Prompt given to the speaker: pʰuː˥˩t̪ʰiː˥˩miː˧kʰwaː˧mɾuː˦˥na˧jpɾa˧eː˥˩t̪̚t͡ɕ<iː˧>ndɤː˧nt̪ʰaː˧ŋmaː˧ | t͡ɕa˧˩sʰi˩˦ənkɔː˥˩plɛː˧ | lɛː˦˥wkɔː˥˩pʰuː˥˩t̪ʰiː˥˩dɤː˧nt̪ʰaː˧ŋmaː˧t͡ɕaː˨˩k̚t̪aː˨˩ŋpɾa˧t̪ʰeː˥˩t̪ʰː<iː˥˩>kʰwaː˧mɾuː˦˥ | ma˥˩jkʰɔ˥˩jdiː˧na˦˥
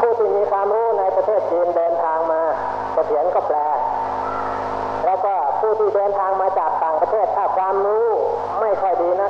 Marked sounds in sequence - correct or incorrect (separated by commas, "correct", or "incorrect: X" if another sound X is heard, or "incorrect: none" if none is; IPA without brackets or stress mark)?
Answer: correct, incorrect: aː˥˩